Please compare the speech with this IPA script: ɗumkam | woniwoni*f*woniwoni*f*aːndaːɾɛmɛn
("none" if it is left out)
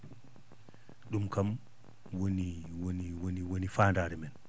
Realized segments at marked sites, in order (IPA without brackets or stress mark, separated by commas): none, f